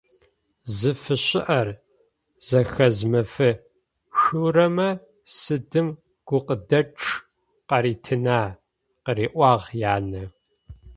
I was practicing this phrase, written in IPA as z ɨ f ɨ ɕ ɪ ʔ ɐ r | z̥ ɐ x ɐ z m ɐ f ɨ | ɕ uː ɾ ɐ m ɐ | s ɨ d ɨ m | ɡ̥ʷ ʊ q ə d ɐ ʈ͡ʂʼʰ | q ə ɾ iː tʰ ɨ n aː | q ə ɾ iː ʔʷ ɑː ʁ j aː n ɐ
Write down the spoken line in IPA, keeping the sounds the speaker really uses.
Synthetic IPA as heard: z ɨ f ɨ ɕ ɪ ʔ ɐ r | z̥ ɐ x ɐ z m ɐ f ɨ | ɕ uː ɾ ɐ m ɐ | s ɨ d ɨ m | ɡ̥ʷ ʊ q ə d ɐ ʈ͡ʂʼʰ | q ɐ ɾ iː tʰ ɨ n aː | q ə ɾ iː ʔʷ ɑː ʁ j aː n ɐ